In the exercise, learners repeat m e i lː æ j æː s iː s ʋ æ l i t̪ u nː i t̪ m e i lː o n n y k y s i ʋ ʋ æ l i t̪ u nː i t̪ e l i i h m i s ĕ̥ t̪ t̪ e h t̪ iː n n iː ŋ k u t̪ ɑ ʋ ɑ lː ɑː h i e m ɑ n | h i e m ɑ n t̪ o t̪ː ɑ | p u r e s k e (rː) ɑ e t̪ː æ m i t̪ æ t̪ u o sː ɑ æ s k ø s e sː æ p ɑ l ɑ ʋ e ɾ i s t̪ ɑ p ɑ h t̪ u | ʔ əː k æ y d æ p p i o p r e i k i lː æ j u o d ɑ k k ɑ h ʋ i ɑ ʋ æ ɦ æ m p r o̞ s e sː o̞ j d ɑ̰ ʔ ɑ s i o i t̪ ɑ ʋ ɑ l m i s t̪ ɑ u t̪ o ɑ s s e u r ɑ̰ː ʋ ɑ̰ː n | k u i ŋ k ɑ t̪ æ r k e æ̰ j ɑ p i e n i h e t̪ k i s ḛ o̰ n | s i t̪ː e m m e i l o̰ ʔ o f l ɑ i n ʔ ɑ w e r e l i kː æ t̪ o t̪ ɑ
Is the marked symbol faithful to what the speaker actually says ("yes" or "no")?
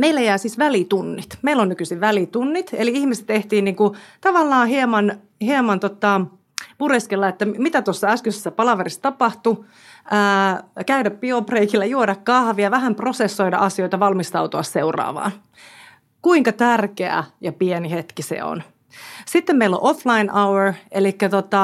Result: no